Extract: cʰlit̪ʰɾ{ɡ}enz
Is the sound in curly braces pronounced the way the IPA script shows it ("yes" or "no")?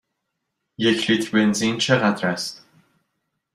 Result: no